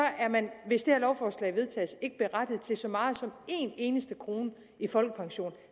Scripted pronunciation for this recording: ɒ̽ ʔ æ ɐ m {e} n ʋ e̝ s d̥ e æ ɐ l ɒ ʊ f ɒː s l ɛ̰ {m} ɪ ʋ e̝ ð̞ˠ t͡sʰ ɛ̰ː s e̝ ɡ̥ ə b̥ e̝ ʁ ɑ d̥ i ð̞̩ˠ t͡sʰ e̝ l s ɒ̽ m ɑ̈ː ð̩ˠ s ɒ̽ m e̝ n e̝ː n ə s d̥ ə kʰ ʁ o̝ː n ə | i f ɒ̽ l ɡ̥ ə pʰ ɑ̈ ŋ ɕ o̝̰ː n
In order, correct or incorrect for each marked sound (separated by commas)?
incorrect, incorrect